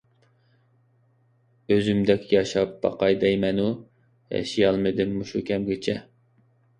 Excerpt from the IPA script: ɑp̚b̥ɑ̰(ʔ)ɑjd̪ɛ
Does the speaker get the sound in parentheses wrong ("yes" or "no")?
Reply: yes